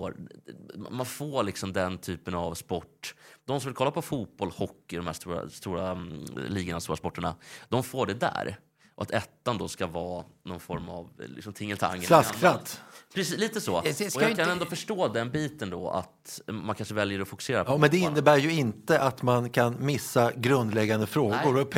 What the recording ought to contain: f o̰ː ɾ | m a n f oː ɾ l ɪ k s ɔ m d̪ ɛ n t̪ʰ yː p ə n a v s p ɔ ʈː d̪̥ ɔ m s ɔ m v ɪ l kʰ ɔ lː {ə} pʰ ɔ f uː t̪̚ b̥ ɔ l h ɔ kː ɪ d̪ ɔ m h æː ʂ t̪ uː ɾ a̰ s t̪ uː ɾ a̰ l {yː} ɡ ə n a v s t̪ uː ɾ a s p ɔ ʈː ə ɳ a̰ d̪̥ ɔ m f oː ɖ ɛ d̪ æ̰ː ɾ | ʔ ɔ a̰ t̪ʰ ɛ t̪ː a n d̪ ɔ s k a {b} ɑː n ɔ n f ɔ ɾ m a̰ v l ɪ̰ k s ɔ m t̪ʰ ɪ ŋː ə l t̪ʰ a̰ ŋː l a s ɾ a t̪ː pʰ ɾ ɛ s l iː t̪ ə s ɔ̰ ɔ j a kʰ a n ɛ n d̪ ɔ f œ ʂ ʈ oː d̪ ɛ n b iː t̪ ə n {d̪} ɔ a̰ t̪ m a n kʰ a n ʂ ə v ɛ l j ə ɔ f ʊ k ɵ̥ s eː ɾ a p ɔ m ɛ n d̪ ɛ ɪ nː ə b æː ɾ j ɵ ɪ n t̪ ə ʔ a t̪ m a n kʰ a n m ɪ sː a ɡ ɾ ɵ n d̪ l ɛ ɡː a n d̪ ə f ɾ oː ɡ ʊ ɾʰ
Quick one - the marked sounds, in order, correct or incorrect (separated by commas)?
incorrect, incorrect, incorrect, correct